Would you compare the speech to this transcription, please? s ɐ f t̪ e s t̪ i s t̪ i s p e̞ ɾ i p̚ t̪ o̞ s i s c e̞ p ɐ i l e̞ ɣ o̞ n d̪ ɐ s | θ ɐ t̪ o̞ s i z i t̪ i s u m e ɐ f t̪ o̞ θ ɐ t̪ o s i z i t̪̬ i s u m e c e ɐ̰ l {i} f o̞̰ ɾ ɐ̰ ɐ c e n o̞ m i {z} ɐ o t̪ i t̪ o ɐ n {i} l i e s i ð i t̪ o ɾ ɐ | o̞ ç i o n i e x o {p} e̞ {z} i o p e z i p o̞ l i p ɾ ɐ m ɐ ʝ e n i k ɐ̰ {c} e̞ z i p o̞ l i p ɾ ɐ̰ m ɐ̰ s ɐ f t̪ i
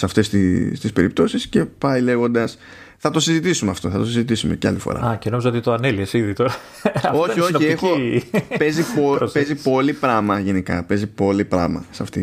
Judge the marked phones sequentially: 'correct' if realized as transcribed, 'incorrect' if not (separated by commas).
correct, correct, incorrect, correct, correct, incorrect